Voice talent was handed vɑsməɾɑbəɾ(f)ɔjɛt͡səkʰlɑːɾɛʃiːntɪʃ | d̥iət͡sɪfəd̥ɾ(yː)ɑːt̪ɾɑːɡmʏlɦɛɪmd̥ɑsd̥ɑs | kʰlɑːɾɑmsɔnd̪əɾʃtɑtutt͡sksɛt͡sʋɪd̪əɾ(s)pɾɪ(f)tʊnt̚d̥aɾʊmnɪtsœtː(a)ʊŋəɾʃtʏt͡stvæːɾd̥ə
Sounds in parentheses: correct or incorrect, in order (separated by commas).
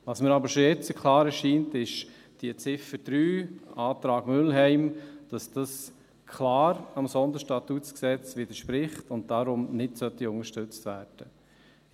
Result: incorrect, correct, incorrect, incorrect, incorrect